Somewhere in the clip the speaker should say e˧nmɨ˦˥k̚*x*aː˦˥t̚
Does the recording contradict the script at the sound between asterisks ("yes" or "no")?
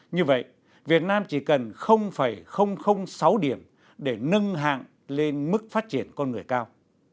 yes